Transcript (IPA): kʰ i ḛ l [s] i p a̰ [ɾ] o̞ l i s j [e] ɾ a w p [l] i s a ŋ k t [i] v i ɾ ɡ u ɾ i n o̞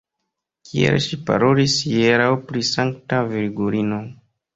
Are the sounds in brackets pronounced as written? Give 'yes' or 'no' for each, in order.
no, yes, yes, no, no

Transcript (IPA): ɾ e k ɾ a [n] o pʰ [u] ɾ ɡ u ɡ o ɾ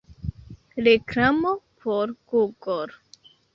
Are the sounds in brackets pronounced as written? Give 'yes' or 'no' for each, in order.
no, no

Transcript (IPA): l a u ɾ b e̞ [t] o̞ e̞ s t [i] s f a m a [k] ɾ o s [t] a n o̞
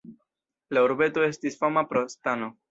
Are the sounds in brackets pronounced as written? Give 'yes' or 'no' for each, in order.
yes, yes, no, yes

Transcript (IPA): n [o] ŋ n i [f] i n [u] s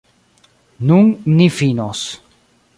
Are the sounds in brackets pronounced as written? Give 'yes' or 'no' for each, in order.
no, yes, no

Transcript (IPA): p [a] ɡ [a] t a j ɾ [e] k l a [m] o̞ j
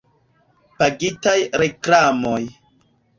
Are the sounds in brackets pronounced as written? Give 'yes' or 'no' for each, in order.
yes, no, yes, yes

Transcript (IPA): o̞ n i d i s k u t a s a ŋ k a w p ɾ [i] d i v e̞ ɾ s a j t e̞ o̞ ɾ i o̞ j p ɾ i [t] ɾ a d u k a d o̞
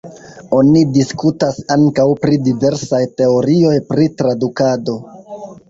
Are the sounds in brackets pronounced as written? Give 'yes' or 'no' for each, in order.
yes, yes

